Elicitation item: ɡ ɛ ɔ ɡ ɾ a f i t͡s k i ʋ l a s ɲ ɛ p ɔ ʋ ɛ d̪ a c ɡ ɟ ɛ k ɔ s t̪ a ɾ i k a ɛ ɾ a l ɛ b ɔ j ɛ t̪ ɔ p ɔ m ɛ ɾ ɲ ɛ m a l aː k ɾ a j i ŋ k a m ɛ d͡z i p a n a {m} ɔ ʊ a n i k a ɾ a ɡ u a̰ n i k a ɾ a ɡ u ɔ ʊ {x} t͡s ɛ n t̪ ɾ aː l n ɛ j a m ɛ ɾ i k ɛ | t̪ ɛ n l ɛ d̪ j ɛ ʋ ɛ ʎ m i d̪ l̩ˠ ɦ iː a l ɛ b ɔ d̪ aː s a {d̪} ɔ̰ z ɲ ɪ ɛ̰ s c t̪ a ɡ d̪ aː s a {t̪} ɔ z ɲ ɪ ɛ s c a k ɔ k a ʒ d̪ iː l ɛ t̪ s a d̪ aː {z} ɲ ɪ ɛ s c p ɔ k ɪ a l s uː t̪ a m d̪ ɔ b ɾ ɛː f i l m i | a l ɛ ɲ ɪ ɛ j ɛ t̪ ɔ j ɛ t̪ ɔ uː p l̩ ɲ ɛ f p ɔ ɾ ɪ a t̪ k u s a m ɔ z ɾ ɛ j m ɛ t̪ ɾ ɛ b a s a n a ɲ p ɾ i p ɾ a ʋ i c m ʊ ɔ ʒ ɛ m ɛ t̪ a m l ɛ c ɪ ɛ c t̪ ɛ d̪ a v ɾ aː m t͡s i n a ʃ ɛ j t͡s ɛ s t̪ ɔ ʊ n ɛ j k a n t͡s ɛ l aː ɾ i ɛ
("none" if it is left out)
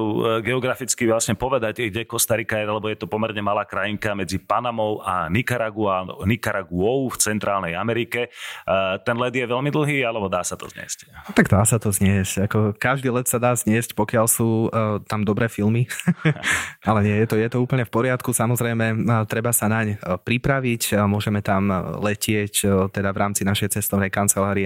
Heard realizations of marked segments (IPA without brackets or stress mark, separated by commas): m, f, t̪, t̪, z